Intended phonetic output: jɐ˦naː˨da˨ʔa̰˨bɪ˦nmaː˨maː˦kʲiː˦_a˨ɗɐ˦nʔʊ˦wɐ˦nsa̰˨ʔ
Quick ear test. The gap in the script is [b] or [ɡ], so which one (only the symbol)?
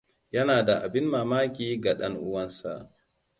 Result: ɡ